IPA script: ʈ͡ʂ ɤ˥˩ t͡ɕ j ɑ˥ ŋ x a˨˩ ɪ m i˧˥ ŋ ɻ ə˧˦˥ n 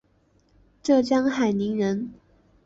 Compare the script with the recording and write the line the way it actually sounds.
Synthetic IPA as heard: ʈ͡ʂ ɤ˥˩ t͡ɕ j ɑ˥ ŋ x a˨˩ ɪ n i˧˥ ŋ ɻ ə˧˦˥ n

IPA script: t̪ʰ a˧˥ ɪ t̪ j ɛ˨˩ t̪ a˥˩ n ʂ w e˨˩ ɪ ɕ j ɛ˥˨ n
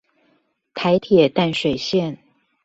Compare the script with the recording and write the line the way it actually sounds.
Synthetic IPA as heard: t̪ʰ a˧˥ ɪ t̪ʰ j ɛ˨˩ t̪ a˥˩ n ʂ w e˨˩ ɪ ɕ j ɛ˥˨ n

